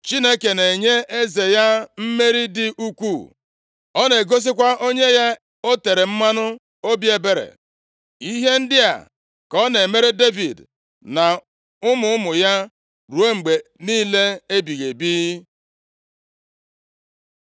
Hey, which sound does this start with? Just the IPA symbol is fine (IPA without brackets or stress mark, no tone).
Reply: t͡ʃ